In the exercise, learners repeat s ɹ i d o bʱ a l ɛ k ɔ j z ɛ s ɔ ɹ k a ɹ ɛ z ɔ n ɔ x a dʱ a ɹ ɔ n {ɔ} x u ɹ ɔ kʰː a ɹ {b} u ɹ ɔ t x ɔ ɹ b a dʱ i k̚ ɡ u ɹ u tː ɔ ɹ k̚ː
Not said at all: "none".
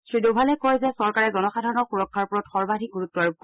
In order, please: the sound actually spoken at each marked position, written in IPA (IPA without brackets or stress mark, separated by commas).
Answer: ɔ, p